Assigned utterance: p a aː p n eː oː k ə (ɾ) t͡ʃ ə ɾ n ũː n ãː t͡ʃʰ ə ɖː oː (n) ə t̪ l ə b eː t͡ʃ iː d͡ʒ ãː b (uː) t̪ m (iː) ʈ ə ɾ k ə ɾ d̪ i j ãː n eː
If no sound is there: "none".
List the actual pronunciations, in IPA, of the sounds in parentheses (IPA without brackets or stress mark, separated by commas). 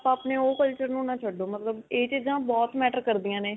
l, m, ɔː, ɛː